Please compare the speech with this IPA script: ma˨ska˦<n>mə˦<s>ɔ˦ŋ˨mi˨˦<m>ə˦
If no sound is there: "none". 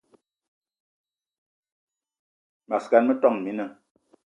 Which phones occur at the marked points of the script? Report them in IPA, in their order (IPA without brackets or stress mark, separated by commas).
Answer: n, t, n